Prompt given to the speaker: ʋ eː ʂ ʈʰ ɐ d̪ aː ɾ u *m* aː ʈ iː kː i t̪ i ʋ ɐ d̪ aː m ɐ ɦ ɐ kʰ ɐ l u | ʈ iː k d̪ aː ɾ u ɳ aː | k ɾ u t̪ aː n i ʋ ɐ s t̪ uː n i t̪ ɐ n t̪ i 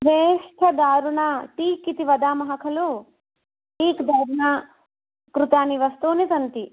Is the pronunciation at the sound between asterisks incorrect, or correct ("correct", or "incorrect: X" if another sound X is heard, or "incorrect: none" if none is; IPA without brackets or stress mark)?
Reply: incorrect: ɳ